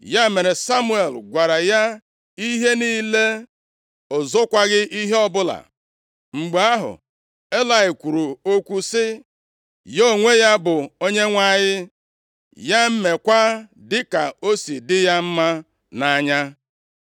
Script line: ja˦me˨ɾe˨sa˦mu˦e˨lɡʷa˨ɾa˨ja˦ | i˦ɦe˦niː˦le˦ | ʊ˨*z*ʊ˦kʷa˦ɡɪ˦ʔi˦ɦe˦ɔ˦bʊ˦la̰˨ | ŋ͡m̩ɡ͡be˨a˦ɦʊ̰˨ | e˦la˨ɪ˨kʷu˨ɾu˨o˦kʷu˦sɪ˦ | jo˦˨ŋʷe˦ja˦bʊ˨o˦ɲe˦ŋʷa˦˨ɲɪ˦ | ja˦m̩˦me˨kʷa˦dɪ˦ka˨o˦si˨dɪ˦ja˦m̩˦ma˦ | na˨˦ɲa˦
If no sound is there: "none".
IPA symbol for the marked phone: z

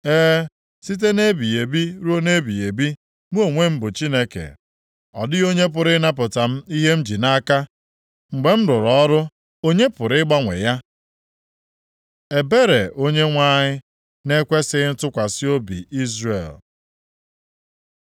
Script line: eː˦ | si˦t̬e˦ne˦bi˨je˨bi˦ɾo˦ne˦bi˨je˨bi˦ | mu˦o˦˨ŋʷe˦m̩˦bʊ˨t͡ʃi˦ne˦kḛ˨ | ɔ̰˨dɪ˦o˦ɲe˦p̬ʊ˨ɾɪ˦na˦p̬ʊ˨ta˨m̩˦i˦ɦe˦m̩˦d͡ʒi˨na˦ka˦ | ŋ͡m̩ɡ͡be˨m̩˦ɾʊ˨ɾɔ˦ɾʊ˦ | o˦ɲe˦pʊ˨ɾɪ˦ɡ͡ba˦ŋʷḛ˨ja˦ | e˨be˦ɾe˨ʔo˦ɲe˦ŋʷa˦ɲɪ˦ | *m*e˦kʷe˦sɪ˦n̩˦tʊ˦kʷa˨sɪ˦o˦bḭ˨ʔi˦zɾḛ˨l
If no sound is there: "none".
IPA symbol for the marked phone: n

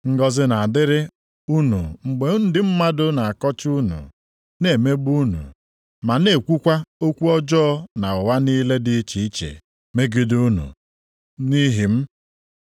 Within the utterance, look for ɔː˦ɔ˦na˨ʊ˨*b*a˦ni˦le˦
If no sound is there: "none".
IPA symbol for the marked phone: w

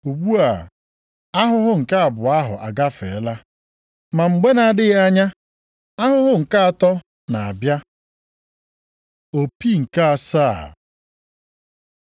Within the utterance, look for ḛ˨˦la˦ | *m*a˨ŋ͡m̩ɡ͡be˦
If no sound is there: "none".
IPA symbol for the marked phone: m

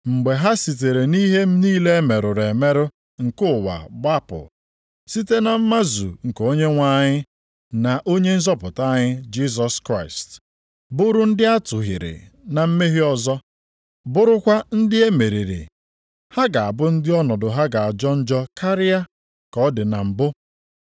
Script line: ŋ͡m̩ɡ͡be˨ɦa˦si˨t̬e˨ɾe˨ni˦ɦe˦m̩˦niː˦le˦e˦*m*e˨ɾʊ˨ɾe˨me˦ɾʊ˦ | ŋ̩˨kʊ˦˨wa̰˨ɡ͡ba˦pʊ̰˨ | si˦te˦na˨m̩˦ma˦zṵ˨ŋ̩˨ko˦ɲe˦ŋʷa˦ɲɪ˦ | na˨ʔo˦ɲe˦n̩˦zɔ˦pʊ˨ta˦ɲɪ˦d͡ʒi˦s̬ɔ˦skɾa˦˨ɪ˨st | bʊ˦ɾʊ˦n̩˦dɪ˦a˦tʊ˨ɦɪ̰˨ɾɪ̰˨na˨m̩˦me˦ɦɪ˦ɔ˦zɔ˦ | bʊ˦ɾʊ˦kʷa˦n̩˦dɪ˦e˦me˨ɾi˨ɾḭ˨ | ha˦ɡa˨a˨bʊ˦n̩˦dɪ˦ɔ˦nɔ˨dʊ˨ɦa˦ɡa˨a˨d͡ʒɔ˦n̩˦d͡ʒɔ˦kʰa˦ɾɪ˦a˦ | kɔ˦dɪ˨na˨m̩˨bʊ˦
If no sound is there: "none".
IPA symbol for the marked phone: m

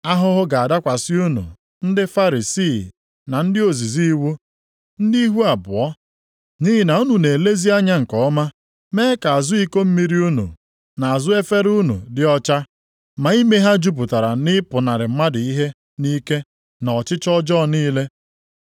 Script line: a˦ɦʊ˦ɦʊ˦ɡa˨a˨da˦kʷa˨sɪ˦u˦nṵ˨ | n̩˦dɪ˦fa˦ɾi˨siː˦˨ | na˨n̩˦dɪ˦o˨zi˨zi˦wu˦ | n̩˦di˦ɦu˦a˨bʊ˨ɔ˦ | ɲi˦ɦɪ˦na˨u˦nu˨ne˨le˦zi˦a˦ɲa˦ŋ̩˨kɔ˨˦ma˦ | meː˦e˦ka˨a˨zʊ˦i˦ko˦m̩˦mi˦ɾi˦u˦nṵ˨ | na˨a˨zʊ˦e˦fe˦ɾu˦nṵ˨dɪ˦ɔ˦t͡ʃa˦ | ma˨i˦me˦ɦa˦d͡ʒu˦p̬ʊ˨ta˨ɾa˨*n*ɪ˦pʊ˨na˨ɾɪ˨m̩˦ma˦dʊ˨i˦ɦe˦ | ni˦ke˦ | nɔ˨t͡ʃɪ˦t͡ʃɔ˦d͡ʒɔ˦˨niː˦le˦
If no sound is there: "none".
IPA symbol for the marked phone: n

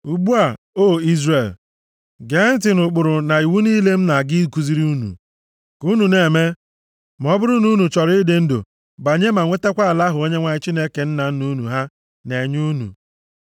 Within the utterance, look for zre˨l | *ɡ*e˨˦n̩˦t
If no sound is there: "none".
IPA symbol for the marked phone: ɡ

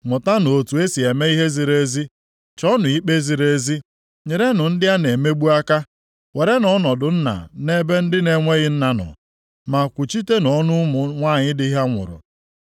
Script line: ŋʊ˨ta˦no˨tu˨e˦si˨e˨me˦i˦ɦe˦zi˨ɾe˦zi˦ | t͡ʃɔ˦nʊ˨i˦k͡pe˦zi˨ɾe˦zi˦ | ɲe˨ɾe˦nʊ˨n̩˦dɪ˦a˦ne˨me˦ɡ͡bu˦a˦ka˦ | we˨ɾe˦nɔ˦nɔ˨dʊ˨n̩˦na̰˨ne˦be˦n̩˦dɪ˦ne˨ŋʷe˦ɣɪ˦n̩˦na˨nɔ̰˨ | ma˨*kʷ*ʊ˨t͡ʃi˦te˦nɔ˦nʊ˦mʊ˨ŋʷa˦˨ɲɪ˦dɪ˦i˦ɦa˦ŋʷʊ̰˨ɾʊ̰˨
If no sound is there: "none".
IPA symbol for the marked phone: kʷ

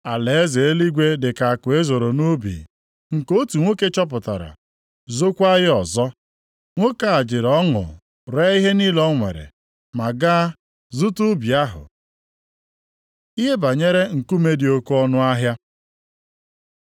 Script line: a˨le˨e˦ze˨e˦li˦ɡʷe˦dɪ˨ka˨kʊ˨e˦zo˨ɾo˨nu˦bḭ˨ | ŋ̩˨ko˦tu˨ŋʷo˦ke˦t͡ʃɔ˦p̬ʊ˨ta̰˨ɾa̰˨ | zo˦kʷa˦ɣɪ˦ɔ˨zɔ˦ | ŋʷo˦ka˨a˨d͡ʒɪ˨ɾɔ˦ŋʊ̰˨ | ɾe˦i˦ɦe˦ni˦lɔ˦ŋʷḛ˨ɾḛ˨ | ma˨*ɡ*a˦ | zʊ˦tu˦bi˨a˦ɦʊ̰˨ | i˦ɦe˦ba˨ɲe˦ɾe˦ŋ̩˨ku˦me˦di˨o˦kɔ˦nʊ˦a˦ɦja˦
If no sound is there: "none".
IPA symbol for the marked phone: ɡ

